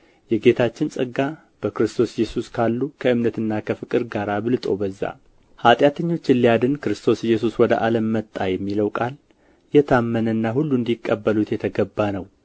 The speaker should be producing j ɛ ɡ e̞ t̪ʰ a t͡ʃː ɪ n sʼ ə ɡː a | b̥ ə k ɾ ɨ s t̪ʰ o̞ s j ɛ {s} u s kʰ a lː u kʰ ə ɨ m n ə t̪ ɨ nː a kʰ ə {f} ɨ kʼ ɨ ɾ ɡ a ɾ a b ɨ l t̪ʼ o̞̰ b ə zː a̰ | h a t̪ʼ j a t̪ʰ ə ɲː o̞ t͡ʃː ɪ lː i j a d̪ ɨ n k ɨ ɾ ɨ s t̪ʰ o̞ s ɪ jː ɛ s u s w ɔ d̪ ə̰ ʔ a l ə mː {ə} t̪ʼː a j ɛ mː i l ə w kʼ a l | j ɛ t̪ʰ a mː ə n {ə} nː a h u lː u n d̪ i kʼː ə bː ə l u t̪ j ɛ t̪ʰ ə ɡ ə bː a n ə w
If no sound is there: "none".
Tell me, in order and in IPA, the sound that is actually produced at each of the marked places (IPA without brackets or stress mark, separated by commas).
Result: s, f, ə, ə